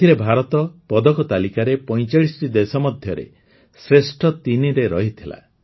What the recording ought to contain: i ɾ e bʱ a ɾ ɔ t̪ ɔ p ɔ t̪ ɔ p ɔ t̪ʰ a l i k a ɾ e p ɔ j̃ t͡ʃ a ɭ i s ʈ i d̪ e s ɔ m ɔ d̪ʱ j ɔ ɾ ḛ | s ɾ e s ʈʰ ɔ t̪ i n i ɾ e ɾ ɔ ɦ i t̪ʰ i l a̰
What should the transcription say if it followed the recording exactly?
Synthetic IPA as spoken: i ɾ e bʱ a ɾ ɔ t̪ ɔ p ɔ d̪ ɔ k ɔ t̪ a l i k a ɾ e p ɔ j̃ t͡ʃ a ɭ i s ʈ i d̪ e s ɔ m ɔ d̪ʱ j ɔ ɾ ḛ | s ɾ e s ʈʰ ɔ t̪ i n i ɾ e ɾ ɔ ɦ i t̪ʰ i l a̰